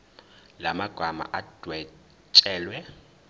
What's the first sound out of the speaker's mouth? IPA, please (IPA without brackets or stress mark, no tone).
l